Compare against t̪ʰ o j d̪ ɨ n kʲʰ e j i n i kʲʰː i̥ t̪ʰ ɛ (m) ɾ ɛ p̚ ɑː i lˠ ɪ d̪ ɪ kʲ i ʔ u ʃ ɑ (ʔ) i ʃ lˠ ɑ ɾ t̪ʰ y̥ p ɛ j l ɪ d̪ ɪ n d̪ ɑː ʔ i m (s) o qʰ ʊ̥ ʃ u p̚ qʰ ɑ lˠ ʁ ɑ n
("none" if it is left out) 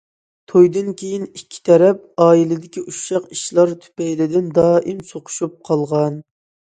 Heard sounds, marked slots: none, q, s

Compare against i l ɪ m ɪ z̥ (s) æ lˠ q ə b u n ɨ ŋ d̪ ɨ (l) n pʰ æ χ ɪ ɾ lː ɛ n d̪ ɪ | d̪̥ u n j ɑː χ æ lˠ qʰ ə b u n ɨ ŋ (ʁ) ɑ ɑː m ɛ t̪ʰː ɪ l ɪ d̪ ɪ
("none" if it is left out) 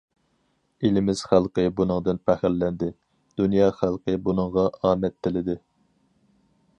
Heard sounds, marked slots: χ, none, ʁ

